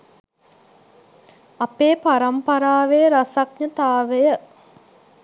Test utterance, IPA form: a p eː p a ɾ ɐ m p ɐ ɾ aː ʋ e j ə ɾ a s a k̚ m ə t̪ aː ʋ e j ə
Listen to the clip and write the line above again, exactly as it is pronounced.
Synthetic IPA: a p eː p a ɾ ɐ m p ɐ ɾ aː ʋ e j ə ɾ a s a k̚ ɲ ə t̪ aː ʋ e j ə

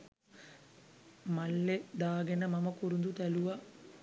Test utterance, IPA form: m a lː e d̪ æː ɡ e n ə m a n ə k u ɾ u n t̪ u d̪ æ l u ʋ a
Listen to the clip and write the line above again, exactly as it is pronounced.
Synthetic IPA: m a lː e d̪ aː ɡ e n ə m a m ə k u ɾ u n d̪ u t̪ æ l u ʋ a

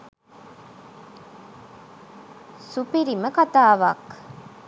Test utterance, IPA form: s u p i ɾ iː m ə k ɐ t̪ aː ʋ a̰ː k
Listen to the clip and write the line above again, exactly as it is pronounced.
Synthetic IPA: s u p i ɾ i m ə k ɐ t̪ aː ʋ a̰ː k

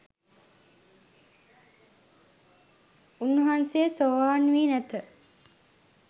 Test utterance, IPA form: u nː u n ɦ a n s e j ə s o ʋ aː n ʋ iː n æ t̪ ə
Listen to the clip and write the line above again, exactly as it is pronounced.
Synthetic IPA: u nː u ɦ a n s e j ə s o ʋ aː n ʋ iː n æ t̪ ə

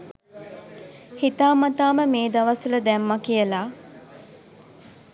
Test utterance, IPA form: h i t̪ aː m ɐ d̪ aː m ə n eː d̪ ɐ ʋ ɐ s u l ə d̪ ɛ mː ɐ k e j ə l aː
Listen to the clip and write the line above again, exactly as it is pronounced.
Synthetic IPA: h i t̪ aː m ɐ t̪ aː m ə m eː d̪ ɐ ʋ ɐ s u l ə d̪ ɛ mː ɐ k i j ə l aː

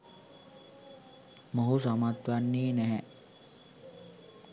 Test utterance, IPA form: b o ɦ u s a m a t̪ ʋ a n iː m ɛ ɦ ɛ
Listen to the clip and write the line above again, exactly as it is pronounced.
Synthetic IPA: m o ɦ u s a m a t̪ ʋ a nː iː n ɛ ɦ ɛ

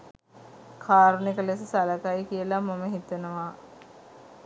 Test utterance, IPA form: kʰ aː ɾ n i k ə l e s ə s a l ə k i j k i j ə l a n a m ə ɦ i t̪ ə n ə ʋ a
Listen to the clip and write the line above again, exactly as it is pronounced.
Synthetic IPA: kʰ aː ɾ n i k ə l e s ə s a l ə k a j k i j ə l a m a m ə ɦ i t̪ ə n ə ʋ a

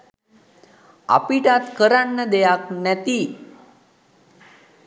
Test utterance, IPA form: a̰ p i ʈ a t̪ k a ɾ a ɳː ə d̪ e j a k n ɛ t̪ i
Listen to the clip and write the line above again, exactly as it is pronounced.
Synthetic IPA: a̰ p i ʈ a t̪ k ə ɾ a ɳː ə d̪ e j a k n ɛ t̪ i

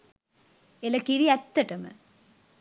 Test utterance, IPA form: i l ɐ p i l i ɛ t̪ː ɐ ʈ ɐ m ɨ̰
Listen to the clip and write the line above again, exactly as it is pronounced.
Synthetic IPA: e l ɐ k i ɾ i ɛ t̪ː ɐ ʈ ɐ m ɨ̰

